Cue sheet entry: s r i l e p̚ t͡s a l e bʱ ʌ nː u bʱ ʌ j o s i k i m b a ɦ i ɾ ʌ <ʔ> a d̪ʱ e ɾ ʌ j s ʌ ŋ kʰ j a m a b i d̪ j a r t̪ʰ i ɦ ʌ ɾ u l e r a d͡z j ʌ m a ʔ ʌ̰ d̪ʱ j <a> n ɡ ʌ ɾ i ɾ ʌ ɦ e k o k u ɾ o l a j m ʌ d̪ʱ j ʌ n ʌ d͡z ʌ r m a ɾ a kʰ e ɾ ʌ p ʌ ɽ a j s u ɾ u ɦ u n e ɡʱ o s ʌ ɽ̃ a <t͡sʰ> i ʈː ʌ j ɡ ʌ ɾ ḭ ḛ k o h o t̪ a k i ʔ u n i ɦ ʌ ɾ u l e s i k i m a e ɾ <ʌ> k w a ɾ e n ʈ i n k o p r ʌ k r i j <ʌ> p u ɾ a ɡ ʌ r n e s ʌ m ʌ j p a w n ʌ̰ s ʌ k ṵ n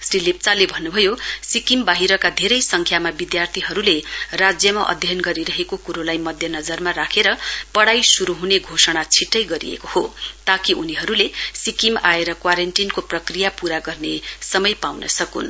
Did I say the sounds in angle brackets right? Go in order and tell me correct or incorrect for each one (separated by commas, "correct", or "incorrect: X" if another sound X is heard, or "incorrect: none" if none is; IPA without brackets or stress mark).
incorrect: k, incorrect: ʌ, correct, correct, incorrect: a